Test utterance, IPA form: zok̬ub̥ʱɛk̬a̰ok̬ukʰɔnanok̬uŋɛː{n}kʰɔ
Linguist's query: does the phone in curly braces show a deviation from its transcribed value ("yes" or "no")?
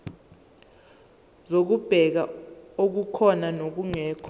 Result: yes